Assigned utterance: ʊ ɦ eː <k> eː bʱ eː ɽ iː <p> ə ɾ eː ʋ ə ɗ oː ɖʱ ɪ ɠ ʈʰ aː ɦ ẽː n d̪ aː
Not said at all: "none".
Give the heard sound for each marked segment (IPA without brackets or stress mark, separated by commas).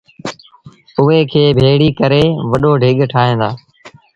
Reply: kʰ, k